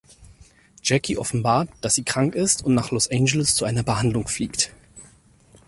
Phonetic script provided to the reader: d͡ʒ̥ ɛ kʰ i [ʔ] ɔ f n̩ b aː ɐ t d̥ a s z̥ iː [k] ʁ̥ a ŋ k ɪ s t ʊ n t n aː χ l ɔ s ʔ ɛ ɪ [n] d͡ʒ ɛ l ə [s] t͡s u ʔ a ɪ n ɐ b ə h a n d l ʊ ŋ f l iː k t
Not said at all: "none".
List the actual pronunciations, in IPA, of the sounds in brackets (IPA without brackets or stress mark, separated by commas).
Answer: ʔ, k, n, s